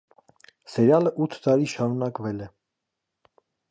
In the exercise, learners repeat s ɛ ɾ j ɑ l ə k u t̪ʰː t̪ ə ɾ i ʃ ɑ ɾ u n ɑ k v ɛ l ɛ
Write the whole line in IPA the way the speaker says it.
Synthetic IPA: s ɛ ɾ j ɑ l ə ʔ u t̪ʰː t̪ ɑ ɾ i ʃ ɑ ɾ u n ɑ k v ɛ l ɛ